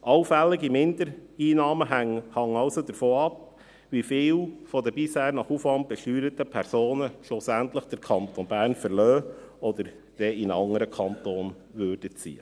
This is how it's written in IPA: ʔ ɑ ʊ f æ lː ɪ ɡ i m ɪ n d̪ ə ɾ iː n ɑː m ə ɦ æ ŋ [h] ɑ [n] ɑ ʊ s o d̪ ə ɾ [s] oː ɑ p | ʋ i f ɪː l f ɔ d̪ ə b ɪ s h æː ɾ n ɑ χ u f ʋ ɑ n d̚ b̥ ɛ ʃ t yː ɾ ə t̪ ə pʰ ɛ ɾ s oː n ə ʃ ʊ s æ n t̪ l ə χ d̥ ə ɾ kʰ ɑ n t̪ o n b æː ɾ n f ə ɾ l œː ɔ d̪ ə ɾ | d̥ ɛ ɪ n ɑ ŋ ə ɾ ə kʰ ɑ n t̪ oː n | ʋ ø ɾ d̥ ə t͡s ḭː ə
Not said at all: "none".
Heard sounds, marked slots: h, ŋ, f

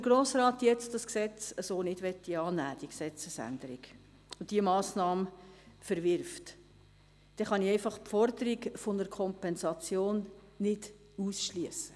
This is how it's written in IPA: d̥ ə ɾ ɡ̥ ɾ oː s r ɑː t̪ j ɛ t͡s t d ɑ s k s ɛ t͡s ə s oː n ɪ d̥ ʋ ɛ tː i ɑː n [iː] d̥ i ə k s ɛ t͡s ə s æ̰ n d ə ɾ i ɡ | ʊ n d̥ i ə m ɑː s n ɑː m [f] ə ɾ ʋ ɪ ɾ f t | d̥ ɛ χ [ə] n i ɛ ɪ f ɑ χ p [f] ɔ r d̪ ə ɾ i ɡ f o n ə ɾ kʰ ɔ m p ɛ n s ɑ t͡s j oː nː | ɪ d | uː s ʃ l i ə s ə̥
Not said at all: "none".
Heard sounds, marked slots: æː, f, ɑ, f

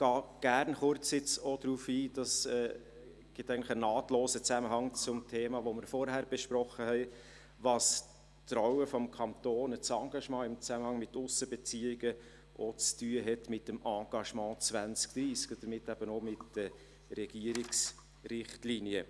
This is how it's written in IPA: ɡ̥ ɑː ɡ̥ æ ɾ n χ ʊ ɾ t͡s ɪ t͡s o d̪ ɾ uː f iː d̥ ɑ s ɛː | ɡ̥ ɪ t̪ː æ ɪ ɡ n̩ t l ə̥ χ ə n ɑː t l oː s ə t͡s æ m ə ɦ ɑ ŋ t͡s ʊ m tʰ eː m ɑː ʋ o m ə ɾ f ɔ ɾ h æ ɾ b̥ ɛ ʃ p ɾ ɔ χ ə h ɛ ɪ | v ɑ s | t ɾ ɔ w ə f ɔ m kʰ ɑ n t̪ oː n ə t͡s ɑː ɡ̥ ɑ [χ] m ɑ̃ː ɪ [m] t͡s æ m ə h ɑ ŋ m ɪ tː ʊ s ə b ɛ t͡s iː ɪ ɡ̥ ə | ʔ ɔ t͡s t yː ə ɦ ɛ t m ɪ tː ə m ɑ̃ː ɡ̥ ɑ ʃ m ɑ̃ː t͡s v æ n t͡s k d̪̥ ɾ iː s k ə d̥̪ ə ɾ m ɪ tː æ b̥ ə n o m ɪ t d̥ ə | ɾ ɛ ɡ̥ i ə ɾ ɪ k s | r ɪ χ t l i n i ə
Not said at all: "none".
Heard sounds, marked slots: ʃ, m

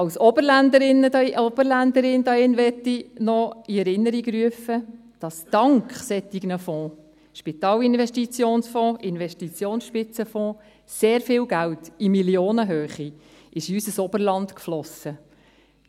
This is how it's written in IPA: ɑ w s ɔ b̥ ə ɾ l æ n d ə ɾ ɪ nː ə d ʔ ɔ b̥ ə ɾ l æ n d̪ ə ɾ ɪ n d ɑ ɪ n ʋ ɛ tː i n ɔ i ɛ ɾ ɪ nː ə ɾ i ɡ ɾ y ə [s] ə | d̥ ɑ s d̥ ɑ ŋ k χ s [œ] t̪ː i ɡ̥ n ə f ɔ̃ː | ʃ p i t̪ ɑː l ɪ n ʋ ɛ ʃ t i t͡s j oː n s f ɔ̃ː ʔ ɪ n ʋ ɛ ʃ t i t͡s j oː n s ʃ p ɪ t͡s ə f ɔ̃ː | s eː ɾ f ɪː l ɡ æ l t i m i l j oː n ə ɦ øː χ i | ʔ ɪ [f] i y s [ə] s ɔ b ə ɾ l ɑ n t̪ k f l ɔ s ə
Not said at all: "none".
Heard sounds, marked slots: f, ɛ, ʃ, ə

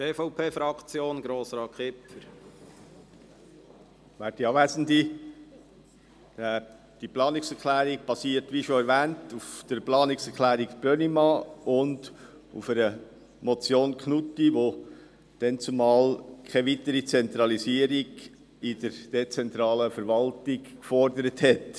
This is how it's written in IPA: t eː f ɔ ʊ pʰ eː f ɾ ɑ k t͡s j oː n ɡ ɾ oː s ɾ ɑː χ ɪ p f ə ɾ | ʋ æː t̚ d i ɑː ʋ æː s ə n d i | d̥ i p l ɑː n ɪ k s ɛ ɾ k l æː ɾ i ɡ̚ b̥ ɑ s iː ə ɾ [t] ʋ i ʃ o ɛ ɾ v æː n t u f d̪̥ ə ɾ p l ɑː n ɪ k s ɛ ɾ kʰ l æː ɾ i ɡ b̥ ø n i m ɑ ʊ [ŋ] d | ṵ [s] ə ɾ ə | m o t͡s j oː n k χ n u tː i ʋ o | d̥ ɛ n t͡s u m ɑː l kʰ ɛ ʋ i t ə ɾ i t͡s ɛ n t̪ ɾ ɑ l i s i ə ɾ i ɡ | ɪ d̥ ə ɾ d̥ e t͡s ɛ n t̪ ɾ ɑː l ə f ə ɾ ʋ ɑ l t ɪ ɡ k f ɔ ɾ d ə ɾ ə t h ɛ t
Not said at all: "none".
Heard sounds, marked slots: t, n, f

